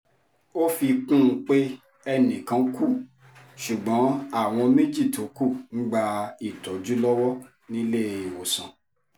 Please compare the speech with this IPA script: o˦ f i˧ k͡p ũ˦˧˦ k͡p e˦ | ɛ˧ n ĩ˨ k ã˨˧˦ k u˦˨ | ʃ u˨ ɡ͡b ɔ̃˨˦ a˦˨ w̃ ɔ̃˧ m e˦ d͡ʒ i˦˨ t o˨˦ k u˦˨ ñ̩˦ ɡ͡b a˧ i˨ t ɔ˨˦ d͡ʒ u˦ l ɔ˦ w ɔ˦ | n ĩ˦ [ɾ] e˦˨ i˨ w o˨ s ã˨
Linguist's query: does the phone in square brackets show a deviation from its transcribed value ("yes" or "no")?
yes